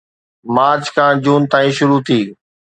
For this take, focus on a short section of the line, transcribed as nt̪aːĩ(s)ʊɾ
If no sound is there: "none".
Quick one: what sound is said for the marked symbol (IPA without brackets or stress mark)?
ʃ